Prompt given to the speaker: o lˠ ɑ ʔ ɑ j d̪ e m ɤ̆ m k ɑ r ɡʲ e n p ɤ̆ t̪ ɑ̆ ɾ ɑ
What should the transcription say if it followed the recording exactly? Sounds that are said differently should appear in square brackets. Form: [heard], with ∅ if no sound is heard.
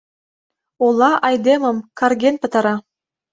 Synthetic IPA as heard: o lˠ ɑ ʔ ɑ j d̪ e m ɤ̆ m k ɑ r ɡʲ e n p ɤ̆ t̪ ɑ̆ ɾ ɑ